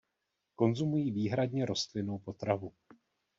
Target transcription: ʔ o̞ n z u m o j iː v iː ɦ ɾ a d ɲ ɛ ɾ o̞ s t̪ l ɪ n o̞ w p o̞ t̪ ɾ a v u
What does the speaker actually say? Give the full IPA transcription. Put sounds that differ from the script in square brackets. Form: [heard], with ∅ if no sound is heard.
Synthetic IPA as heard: [k] o̞ n z u m [u] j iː v iː ɦ ɾ a d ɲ ɛ ɾ o̞ s t̪ l ɪ n o̞ w p o̞ t̪ ɾ a v u